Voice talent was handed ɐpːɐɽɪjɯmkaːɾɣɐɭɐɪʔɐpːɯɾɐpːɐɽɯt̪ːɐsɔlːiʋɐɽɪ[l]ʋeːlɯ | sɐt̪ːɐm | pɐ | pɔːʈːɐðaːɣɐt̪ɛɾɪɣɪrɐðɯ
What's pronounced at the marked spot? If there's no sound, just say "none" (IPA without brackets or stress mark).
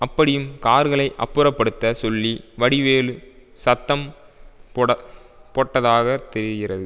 none